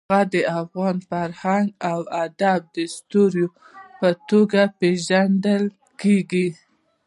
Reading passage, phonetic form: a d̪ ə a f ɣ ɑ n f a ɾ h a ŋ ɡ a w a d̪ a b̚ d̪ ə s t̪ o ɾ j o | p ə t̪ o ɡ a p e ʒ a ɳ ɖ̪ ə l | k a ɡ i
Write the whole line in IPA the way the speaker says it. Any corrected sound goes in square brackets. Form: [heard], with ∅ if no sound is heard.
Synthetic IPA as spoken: a d̪ ə a f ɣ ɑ n f a ɾ h a ŋ ɡ a w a d̪ a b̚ d̪ ə s t̪ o ɾ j o | p ə t̪ o ɡ a p e ʒ a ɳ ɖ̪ ə l | k [e] ɡ i